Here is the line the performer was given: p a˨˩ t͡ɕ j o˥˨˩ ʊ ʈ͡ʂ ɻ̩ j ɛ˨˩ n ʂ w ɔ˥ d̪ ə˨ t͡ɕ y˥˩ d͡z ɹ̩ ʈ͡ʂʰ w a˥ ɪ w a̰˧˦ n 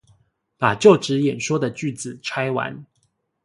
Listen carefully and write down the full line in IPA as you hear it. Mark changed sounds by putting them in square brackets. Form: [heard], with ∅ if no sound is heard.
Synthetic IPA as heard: p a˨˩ t͡ɕ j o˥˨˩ ʊ ʈ͡ʂ ɻ̩ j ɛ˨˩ n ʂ w ɔ˥ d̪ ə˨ t͡ɕ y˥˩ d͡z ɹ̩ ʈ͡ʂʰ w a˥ ɪ w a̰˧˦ n